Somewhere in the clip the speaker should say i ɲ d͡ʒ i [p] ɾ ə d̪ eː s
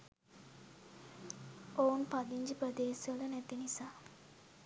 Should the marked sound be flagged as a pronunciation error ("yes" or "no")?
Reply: no